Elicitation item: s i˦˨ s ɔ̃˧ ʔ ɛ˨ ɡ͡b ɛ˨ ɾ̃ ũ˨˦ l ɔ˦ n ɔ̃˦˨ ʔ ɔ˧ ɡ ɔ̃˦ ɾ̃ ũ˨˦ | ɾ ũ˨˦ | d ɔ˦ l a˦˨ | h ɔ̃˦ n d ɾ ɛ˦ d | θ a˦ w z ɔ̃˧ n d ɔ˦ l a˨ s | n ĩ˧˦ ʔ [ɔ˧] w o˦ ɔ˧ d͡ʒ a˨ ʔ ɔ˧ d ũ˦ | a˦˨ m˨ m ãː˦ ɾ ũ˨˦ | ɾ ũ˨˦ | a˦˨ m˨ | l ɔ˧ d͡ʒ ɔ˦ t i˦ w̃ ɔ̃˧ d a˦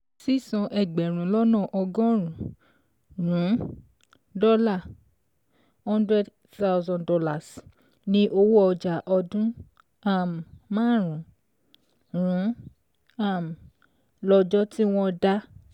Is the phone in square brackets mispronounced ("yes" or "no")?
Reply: yes